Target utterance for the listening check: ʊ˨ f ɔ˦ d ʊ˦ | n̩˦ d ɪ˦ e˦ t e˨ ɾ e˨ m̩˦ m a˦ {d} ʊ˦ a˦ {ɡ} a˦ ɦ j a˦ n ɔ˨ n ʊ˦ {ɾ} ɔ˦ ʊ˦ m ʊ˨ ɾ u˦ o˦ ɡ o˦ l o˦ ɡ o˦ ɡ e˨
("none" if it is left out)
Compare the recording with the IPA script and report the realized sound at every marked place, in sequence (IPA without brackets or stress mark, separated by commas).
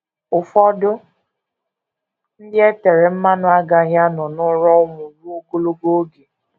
n, ɡ, ɾ